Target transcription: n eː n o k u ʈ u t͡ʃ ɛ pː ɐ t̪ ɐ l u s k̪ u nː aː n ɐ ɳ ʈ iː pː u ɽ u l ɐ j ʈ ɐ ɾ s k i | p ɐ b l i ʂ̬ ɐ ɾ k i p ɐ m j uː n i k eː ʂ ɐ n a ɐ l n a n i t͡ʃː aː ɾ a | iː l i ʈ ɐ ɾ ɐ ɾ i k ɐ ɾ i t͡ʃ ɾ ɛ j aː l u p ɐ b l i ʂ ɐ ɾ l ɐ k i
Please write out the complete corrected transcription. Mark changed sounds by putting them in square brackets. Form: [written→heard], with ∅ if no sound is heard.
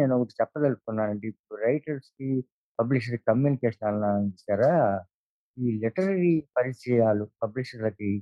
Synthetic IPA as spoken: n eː n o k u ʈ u t͡ʃ ɛ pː ɐ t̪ ɐ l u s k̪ u nː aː n ɐ ɳ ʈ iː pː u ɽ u [l→ɾ] ɐ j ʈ ɐ ɾ s k i | p ɐ b l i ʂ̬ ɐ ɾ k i [p→k] ɐ m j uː n i k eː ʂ ɐ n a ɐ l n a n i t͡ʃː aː ɾ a | iː l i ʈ ɐ ɾ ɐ ɾ i [k→p] ɐ ɾ i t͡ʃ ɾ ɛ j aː l u p ɐ b l i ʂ ɐ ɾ l ɐ k i